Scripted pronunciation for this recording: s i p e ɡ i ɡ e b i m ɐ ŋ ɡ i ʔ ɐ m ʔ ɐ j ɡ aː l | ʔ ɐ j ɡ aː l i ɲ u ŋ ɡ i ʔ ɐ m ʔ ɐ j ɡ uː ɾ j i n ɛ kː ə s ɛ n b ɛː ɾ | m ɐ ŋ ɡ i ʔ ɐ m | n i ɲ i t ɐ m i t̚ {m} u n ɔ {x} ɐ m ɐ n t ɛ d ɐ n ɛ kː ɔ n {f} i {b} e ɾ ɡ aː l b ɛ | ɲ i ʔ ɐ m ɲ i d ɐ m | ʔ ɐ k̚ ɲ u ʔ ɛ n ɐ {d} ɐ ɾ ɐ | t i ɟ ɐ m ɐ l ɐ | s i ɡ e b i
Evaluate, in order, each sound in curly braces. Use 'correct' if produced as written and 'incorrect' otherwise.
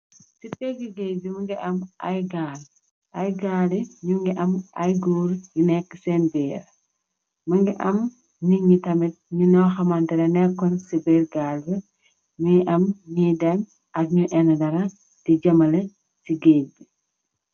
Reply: incorrect: ɲ, correct, incorrect: s, correct, correct

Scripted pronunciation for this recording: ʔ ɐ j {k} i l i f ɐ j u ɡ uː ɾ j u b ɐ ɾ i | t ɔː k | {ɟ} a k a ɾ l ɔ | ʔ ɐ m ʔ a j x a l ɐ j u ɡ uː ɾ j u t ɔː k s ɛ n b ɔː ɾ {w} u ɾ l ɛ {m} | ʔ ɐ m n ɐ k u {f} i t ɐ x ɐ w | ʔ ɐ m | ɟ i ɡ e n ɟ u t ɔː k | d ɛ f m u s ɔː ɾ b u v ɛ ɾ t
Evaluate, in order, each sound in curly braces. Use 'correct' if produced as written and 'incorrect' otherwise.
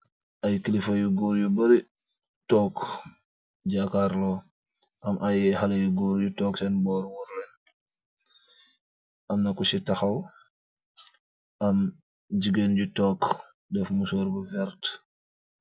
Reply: correct, correct, correct, incorrect: n, incorrect: s

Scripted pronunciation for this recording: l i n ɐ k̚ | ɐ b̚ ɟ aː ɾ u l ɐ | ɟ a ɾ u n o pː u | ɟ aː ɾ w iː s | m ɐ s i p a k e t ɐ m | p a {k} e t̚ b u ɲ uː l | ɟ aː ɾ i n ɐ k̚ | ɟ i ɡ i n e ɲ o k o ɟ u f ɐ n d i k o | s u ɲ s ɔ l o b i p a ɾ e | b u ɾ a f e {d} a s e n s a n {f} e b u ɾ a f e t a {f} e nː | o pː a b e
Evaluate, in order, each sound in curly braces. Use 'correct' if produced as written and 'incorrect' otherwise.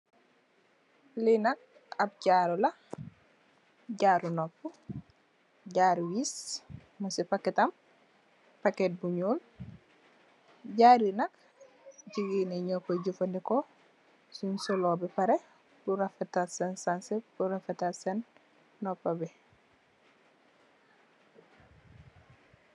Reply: correct, incorrect: t, incorrect: s, incorrect: s

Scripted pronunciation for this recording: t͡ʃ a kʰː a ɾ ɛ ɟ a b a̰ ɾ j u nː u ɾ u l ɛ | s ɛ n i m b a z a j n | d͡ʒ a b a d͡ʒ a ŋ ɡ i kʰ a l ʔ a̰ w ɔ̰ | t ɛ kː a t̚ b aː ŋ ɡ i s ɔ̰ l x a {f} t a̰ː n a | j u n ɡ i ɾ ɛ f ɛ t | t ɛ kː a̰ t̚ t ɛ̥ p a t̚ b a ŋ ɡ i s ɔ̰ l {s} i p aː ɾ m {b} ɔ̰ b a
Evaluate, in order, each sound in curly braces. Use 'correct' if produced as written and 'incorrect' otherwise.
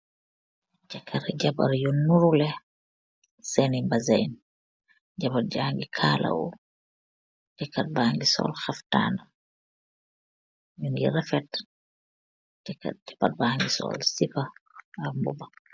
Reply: correct, correct, correct

